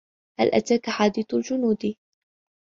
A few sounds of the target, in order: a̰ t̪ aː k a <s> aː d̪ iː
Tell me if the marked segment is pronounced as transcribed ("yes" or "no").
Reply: no